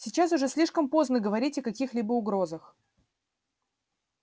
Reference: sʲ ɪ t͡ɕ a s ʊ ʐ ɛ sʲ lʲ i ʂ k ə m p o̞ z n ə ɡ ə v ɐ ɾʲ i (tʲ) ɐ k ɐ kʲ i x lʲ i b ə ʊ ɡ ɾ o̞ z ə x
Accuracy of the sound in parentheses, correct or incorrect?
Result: correct